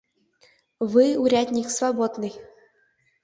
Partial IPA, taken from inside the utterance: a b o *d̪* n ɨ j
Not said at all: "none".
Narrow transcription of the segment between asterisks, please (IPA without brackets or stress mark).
d̪